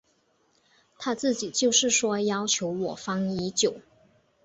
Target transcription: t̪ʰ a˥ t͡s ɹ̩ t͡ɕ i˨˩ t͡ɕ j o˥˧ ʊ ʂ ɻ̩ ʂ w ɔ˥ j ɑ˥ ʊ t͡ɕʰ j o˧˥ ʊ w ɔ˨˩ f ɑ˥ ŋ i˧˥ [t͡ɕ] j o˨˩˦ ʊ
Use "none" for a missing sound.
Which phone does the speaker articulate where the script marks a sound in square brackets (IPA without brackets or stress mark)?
t͡ɕ